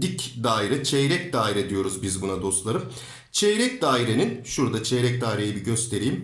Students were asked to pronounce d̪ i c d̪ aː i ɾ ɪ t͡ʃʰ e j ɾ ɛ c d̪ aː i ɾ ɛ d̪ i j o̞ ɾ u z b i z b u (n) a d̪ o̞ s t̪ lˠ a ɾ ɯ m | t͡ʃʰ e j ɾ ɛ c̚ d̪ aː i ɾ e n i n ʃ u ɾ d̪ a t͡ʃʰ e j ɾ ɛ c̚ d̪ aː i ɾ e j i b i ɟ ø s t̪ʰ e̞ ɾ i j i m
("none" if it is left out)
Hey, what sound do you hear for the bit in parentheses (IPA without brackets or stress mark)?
n